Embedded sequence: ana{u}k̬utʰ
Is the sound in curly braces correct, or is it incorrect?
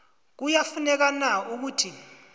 correct